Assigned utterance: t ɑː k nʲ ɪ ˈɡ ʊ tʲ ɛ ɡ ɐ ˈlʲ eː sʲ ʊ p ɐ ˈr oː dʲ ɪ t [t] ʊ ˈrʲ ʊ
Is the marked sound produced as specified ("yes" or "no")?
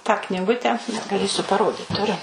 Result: yes